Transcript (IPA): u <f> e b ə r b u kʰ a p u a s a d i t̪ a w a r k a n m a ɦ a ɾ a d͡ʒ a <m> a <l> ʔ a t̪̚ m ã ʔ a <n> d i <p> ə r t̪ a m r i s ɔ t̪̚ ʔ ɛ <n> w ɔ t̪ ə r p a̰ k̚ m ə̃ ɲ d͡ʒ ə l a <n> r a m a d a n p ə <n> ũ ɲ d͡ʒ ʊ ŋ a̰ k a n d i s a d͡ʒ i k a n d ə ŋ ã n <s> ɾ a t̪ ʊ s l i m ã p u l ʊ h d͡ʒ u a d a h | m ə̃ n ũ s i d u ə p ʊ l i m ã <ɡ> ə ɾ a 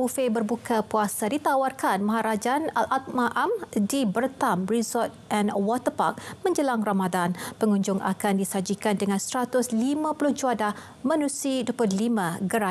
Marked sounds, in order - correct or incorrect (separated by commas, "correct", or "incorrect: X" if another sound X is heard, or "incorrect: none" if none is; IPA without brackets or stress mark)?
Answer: correct, incorrect: n, correct, incorrect: m, incorrect: b, correct, incorrect: ŋ, incorrect: ŋ, correct, correct